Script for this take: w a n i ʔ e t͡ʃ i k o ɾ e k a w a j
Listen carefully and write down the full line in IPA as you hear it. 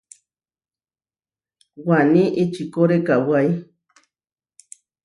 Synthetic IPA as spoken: w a n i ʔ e t͡ʃ i k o ɾ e k a w a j